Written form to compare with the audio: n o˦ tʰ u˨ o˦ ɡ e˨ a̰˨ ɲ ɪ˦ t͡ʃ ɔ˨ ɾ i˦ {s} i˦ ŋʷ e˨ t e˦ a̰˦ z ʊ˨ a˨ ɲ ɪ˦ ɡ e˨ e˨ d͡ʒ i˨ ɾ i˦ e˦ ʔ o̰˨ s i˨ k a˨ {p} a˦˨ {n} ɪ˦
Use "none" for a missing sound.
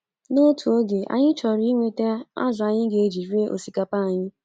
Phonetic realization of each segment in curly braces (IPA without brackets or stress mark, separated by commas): none, p, ɲ